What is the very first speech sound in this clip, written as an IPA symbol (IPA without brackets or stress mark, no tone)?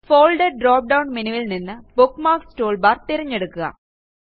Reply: f